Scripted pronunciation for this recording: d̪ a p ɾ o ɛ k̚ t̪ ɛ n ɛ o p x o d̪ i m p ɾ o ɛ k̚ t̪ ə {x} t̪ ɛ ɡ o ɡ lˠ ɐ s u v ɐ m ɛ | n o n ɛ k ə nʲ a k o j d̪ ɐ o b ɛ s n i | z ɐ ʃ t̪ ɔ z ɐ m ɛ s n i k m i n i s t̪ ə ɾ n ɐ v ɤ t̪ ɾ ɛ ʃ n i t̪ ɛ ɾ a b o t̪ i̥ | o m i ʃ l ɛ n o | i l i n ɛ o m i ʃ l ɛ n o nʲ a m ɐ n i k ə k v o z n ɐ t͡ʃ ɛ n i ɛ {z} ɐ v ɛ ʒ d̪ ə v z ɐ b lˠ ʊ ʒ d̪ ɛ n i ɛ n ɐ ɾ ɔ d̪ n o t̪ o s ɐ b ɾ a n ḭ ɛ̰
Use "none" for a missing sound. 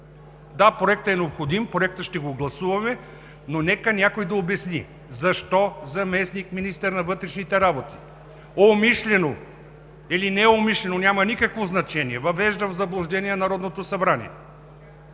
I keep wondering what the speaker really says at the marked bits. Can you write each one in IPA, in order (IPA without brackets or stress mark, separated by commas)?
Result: ʃ, v